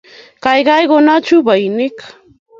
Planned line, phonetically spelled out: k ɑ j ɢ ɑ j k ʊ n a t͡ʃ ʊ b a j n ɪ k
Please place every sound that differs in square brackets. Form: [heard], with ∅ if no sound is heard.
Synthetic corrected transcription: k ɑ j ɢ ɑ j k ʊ n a t͡ʃ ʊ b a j n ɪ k